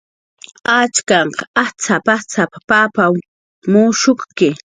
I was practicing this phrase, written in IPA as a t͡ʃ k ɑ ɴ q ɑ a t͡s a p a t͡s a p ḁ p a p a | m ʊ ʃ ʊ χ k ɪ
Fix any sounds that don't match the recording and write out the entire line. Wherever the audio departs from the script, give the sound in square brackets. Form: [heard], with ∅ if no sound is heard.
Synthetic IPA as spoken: a t͡ʃ k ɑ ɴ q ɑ a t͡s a p a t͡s a p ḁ p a p a | m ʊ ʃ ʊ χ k ɪ